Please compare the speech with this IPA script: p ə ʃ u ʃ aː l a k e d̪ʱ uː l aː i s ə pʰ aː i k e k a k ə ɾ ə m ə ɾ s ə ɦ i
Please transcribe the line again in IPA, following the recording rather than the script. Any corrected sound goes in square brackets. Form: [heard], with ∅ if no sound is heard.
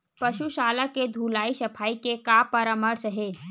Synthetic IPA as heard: p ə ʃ u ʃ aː l a k e d̪ʱ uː l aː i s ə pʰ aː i k e k a [p] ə ɾ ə m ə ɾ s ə ɦ [e]